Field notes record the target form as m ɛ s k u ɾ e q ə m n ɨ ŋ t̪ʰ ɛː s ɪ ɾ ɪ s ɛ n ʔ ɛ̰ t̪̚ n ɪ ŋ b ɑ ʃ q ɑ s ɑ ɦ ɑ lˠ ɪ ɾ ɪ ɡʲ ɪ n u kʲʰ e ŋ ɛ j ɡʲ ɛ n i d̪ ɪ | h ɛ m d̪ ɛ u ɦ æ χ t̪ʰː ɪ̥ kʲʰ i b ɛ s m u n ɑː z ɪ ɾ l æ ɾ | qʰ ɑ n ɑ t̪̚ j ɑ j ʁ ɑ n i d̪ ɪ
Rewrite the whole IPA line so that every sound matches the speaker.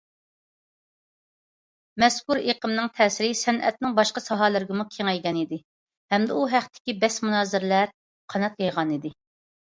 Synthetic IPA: m ɛ s k u ɾ e q ə m n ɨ ŋ t̪ʰ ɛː s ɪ ɾ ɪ s ɛ n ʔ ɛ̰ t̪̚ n ɪ ŋ b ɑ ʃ q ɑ s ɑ ɦ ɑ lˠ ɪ ɾ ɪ ɡʲ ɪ m u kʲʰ e ŋ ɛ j ɡʲ ɛ n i d̪ ɪ | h ɛ m d̪ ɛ u ɦ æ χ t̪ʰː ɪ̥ kʲ i b ɛ s m u n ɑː z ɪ ɾ l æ ɾ | qʰ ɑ n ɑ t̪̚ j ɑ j ʁ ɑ n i d̪ ɪ